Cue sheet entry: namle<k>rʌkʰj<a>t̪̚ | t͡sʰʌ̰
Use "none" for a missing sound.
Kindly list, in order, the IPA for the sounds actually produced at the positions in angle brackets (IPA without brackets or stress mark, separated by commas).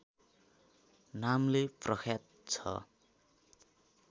p, a